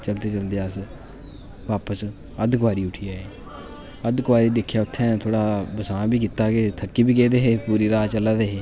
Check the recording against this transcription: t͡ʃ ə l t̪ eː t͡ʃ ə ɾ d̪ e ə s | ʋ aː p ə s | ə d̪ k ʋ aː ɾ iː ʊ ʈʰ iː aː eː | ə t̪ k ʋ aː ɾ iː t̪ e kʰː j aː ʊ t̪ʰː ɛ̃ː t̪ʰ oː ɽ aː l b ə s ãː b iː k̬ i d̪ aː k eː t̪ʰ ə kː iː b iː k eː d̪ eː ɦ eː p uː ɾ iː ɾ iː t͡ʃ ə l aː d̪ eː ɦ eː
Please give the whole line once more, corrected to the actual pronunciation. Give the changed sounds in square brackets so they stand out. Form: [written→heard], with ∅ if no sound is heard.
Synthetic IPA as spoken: t͡ʃ ə l t̪ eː t͡ʃ ə [ɾ→l] d̪ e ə s | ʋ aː p ə s | ə d̪ k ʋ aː ɾ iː ʊ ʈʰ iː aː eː | ə [t̪→d̪] k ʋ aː ɾ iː [t̪→d̪] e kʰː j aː ʊ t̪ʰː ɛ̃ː t̪ʰ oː ɽ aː [l→∅] b ə s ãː b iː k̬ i [d̪→t̪] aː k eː t̪ʰ ə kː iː b iː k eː d̪ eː ɦ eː p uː ɾ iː ɾ [iː→aː] t͡ʃ ə l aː d̪ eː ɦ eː